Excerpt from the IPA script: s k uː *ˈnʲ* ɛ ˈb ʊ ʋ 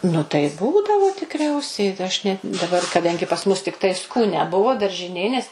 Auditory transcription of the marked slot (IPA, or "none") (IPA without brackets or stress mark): nʲ